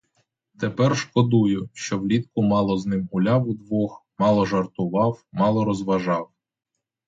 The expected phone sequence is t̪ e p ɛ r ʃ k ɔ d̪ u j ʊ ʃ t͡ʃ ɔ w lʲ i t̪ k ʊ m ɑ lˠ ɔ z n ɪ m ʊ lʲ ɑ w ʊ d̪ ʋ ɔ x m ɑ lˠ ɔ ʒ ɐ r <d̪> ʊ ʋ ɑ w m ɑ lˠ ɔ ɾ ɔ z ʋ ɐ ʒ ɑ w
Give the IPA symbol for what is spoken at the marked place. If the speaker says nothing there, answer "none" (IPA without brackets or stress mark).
t̪